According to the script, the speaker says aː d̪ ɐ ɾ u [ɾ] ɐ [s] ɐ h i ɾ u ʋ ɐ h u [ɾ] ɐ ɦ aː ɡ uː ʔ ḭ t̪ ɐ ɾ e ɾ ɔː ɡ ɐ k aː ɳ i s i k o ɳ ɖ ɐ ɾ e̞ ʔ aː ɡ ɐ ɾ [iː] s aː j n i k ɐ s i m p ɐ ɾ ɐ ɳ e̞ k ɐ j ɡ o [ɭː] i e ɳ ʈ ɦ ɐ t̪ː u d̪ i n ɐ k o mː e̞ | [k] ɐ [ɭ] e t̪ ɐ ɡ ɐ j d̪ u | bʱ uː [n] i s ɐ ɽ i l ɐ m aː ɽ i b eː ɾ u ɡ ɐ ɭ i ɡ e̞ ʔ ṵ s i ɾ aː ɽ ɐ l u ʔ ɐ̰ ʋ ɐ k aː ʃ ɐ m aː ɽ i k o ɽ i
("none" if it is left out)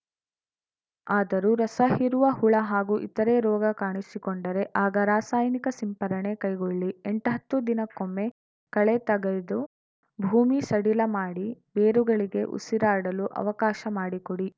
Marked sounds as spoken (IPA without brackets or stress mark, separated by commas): ɾ, s, ɭ, aː, ɭː, k, ɭ, m